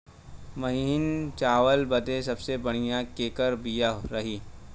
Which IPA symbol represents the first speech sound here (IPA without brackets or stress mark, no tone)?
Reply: m